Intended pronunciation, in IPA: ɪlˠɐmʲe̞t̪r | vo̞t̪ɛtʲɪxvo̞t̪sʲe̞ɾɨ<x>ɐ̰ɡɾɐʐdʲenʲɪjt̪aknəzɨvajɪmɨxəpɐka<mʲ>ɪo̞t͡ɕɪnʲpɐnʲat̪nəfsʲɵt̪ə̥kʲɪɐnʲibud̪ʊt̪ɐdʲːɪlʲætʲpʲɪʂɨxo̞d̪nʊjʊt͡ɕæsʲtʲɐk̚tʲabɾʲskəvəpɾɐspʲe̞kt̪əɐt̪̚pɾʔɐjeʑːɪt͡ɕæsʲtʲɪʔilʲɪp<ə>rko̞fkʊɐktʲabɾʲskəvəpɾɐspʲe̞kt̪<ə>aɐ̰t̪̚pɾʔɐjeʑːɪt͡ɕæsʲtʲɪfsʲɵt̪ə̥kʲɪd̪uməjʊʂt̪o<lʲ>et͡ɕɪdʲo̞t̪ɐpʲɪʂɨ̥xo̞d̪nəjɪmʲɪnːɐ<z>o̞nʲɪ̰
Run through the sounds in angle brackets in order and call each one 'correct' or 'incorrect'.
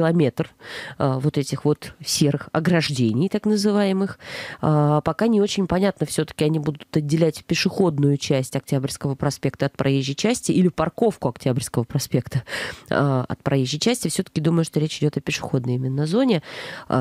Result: correct, incorrect, incorrect, correct, incorrect, correct

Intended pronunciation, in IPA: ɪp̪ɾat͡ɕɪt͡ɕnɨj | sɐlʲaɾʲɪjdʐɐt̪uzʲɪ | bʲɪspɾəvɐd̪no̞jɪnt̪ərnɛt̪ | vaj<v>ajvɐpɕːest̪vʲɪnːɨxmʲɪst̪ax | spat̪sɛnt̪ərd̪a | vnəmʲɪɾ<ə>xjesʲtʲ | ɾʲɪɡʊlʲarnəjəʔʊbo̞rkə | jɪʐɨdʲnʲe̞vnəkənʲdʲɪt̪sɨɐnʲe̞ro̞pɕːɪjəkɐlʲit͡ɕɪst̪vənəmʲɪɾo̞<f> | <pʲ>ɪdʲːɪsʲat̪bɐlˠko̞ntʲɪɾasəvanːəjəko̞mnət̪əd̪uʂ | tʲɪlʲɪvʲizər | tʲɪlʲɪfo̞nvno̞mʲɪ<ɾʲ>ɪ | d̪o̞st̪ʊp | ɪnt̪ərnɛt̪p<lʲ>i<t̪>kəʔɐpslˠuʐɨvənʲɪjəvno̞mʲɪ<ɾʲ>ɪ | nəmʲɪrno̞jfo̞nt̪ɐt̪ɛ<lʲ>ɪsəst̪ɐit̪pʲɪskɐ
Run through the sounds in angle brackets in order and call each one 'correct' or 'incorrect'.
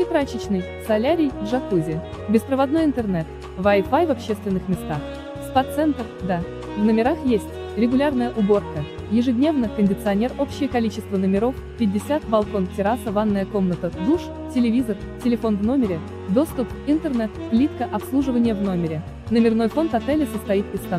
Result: incorrect, incorrect, correct, correct, correct, correct, correct, correct, correct

